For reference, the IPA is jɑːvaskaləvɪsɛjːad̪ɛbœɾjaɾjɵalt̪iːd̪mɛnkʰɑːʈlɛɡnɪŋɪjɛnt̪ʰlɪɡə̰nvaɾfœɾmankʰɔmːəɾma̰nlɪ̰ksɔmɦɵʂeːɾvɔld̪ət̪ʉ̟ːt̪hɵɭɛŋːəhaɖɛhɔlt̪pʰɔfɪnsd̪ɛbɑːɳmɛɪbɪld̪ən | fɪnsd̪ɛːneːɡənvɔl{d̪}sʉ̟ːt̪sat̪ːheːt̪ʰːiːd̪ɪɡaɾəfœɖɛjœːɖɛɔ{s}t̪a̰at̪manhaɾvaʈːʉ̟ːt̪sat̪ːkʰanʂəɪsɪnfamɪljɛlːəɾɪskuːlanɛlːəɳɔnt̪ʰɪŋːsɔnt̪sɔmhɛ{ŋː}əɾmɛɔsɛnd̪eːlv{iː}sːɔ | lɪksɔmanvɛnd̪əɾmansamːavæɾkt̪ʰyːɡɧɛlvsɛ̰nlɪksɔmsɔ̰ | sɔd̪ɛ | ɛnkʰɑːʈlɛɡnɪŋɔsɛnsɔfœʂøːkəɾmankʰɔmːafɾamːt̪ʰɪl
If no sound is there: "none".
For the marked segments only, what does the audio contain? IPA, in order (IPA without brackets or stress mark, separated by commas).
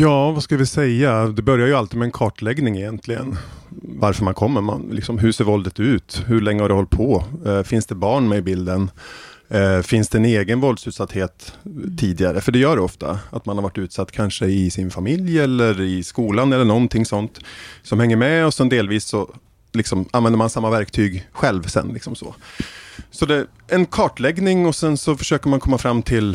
d̪, f, ŋː, iː